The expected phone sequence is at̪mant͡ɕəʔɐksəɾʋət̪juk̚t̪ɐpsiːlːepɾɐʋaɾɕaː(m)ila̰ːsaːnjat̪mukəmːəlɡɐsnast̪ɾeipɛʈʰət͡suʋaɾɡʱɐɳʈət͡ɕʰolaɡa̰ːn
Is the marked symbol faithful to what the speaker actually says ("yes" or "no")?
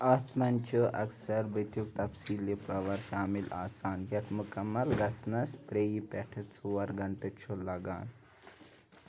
yes